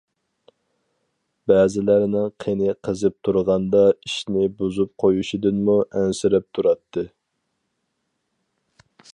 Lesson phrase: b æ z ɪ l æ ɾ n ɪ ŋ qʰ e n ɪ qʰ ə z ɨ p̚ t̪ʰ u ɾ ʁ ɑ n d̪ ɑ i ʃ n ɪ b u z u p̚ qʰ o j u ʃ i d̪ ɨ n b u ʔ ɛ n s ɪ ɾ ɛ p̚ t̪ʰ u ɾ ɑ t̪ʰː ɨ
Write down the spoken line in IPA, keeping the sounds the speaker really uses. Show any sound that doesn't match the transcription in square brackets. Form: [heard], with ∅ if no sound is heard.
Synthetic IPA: b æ z ɪ l æ ɾ n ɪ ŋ qʰ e n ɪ qʰ ə z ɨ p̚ t̪ʰ u ɾ ʁ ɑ n d̪ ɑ i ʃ n ɪ b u z u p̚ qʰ o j u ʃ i d̪ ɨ n [m] u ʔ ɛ n s ɪ ɾ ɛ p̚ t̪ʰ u ɾ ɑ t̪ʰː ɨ